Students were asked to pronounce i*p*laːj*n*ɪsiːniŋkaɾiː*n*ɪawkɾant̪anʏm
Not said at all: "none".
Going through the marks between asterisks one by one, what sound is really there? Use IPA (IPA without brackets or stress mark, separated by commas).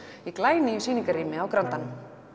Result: k, n, m